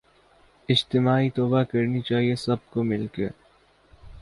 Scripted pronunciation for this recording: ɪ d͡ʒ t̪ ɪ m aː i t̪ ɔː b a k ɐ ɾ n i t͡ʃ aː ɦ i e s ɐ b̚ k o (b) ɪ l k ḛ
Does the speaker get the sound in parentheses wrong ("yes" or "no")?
yes